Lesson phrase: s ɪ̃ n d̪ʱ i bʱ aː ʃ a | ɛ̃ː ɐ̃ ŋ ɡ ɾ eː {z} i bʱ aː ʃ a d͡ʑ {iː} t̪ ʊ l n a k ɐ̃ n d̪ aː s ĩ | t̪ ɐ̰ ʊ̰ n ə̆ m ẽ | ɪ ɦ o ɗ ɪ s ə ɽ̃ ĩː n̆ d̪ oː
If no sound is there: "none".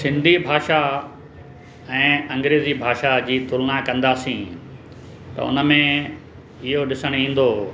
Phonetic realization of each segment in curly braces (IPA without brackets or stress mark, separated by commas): z, iː